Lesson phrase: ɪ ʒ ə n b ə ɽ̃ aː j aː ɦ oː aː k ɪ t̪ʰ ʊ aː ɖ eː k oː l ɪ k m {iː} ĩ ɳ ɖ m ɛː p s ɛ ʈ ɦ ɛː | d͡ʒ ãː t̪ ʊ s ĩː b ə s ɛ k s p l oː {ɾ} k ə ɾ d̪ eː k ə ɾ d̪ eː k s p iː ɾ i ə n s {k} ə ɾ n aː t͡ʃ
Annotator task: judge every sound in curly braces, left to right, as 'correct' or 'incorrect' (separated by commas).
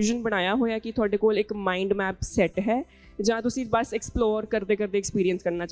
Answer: incorrect, correct, correct